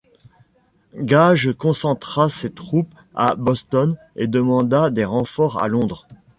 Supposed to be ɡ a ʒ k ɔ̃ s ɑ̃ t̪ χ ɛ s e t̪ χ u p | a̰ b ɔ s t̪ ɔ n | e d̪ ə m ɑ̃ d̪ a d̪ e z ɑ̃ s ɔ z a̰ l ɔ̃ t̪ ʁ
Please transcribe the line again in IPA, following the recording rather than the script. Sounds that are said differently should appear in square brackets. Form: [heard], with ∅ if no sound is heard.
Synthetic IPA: ɡ a ʒ k ɔ̃ s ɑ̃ t̪ χ [a] s e t̪ χ u p | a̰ b ɔ s t̪ ɔ n | e d̪ ə m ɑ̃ d̪ a d̪ e [ʁ] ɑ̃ [f] ɔ [ʁ] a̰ l ɔ̃ [d̪] ʁ